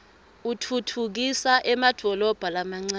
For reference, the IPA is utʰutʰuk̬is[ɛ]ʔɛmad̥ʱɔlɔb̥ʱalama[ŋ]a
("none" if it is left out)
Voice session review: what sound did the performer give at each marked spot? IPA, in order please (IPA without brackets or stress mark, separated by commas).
a, ŋ͡ǀ